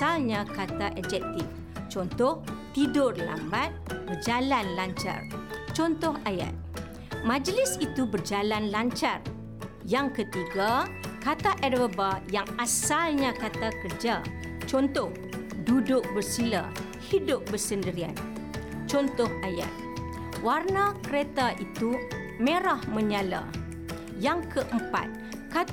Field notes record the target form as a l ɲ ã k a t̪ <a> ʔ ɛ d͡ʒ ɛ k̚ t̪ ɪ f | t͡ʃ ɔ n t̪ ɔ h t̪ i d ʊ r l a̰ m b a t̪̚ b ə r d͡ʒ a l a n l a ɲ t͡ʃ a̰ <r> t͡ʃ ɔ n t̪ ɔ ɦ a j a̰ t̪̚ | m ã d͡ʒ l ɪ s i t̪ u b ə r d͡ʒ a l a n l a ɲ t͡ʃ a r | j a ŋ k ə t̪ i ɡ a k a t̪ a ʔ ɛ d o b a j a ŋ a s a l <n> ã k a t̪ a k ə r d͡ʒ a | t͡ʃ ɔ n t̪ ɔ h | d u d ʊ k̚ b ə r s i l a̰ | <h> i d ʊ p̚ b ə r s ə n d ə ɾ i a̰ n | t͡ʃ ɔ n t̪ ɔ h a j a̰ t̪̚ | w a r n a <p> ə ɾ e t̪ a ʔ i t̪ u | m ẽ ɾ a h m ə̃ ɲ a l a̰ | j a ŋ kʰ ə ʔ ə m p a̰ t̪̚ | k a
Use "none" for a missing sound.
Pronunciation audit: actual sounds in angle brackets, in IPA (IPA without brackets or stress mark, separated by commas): a, r, ɲ, h, k